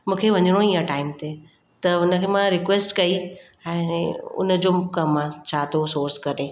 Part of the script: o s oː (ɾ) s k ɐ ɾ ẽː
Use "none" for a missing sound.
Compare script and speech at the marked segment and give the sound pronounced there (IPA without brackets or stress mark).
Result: ɾ